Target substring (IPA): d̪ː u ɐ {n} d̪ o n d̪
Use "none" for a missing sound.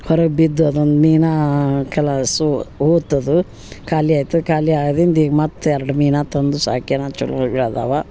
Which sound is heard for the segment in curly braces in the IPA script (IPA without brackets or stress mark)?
none